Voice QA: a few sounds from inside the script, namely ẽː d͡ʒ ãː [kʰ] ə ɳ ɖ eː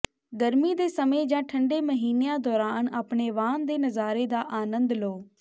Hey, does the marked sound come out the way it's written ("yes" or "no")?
no